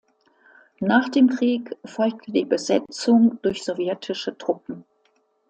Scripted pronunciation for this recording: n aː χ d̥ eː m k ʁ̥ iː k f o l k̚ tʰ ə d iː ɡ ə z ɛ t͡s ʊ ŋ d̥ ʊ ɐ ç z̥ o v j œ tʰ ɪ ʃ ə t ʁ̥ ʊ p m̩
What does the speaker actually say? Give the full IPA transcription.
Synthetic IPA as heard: n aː χ d̥ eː m k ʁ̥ iː k f ɔ l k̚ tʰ ə d iː b ə z ɛ t͡s ʊ ŋ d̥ ʊ ɐ ç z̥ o v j ɛ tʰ ɪ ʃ ə t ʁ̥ ʊ p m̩